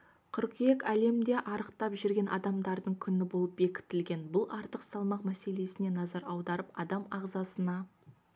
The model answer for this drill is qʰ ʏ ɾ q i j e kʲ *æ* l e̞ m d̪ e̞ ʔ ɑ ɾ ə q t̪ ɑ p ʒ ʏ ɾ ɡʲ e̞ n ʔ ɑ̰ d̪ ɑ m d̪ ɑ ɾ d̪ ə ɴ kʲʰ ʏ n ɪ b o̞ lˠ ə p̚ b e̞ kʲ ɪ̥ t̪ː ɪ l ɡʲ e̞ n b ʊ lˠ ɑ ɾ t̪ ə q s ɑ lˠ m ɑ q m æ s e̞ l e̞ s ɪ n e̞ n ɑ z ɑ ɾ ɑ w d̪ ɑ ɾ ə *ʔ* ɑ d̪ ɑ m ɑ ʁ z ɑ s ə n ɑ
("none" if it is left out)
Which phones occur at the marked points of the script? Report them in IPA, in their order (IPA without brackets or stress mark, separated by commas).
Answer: æ, p